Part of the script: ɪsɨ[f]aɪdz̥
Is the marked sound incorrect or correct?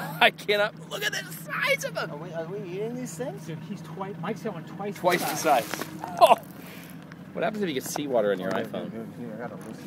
incorrect